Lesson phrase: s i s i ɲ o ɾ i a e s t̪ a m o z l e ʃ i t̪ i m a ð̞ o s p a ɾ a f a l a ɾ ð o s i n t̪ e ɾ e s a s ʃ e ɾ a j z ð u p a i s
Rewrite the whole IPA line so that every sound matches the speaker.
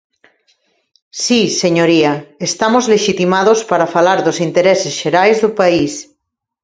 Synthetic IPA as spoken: s i s e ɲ o ɾ i a e s t̪ a m o z l e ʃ i t̪ i m a ð̞ o s p a ɾ a f a l a ɾ ð o s i n t̪ e ɾ e s e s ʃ e ɾ a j z ð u p a i s

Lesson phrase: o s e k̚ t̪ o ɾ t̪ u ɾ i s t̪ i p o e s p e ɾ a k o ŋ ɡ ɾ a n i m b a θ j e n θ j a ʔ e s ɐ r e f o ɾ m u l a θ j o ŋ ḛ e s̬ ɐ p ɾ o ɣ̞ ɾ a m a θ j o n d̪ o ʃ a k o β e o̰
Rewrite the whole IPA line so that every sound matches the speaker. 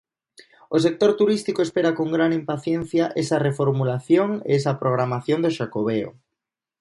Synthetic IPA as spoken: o s e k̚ t̪ o ɾ t̪ u ɾ i s t̪ i k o e s p e ɾ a k o ŋ ɡ ɾ a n i m p a θ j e n θ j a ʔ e s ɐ r e f o ɾ m u l a θ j o ŋ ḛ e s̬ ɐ p ɾ o ɣ̞ ɾ a m a θ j o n d̪ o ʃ a k o β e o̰

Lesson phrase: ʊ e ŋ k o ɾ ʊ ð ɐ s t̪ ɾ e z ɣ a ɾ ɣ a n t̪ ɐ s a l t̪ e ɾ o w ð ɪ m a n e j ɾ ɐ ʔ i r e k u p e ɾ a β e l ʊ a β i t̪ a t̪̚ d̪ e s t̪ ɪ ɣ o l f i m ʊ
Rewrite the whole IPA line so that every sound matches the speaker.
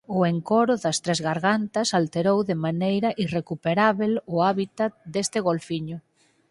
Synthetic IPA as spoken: ʊ e ŋ k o ɾ ʊ ð ɐ s t̪ ɾ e z ɣ a ɾ ɣ a n t̪ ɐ s a l t̪ e ɾ o w ð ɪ m a n e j ɾ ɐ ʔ i r e k u p e ɾ a β e l ʊ a β i t̪ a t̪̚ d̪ e s t̪ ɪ ɣ o l f i ɲ ʊ

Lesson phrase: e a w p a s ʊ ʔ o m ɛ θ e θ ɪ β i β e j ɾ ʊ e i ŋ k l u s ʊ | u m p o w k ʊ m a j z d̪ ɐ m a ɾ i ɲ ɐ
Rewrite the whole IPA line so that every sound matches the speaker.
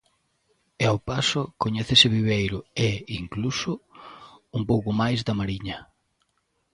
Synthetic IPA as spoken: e a w p a s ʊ k o ɲ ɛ θ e s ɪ β i β e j ɾ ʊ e i ŋ k l u s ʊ | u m p o w k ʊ m a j z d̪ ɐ m a ɾ i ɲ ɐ

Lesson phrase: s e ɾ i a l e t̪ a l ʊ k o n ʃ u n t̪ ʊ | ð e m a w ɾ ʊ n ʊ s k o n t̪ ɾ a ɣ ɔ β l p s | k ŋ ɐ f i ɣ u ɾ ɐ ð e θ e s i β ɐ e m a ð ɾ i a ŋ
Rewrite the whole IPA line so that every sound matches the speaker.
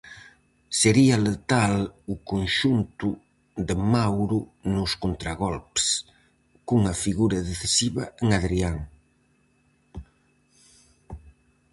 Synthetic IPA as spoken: s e ɾ i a l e t̪ a l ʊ k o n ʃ u n t̪ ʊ | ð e m a w ɾ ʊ n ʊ s k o n t̪ ɾ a ɣ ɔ l p s | k ŋ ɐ f i ɣ u ɾ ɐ ð e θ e s i β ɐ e ŋ a ð ɾ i a ŋ

